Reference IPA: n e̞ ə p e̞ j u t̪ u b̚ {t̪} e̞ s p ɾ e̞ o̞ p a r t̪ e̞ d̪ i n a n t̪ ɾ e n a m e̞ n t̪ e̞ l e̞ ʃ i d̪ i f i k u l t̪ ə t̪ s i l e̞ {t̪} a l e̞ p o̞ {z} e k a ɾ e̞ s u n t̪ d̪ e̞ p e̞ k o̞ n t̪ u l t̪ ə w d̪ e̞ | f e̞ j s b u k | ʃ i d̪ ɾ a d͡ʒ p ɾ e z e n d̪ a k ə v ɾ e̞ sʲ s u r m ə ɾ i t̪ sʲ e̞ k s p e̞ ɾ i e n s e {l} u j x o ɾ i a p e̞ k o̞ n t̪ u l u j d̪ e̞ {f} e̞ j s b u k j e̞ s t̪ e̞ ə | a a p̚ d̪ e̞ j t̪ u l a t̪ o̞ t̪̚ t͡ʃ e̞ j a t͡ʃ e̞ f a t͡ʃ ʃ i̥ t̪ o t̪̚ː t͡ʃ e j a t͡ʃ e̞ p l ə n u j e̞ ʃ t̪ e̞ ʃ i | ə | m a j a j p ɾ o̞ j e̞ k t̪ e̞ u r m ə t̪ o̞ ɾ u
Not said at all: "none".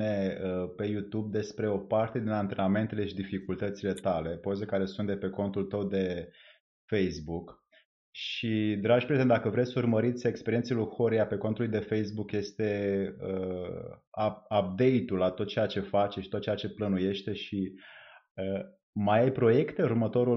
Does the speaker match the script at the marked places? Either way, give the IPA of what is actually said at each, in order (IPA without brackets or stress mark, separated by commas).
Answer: d̪, t̪, z, l, f